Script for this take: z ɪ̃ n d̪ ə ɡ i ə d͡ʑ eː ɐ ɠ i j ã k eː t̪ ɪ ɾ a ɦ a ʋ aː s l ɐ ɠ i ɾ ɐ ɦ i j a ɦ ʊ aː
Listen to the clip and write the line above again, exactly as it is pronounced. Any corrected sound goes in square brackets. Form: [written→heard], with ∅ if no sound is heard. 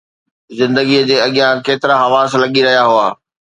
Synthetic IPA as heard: z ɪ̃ n d̪ ə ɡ i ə d͡ʑ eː ɐ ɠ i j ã k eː t̪ ɪ ɾ a ɦ [a→ɐ] ʋ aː s l ɐ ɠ i ɾ ɐ ɦ i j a ɦ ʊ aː